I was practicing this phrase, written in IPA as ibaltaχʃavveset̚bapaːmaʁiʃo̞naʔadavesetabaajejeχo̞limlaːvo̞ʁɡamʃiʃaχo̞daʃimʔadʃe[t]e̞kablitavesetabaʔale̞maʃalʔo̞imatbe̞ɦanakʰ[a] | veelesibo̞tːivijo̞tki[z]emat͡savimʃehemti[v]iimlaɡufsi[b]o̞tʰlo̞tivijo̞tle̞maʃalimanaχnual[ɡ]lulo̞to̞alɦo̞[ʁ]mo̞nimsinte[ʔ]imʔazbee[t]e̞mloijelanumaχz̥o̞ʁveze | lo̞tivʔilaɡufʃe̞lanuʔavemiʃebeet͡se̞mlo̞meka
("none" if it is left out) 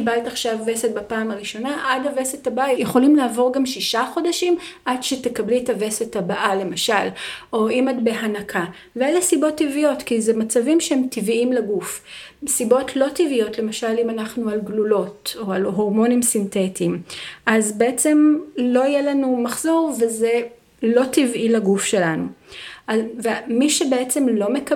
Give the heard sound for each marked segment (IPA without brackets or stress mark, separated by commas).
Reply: t, a, z, v, b, ɡ, ʁ, t, t͡s